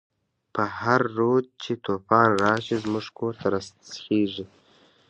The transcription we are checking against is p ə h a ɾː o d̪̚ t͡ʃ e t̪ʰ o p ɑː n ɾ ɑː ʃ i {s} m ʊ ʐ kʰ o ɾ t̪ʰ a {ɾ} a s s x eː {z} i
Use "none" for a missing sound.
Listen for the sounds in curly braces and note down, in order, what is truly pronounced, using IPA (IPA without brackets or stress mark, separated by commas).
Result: z, ɾ, ʐ